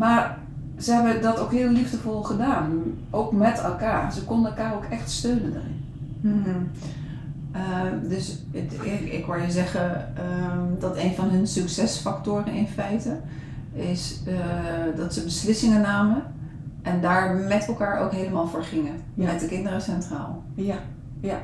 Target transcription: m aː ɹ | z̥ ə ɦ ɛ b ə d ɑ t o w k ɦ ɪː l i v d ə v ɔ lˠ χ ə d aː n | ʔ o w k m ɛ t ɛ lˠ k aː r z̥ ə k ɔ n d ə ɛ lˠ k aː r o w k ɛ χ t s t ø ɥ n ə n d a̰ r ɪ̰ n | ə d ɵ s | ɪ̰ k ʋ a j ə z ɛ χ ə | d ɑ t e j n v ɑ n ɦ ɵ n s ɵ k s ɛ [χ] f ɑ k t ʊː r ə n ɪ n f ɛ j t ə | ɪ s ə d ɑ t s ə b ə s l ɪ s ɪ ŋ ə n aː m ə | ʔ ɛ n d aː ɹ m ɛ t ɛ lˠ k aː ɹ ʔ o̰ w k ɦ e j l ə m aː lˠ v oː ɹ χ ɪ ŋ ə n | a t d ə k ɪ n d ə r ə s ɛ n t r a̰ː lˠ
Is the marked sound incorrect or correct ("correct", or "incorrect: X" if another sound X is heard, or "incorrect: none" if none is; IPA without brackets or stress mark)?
incorrect: s